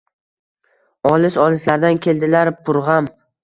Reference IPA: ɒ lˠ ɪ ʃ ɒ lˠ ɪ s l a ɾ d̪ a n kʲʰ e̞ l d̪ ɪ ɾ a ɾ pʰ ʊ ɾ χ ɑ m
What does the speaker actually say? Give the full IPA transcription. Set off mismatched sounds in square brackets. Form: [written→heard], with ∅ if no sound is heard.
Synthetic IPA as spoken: ɒ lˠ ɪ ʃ ɒ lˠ ɪ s l a ɾ d̪ a n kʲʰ e̞ l d̪ ɪ [ɾ→l] a ɾ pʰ ʊ ɾ [χ→ʁ] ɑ m